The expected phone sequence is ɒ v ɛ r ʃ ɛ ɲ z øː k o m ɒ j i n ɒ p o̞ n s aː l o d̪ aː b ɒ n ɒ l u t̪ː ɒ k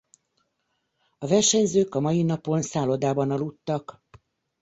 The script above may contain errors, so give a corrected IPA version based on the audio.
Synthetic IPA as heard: ɒ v ɛ r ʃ ɛ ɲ z øː k ɒ m ɒ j i n ɒ p o̞ n s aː l o d̪ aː b ɒ n ɒ l u t̪ː ɒ k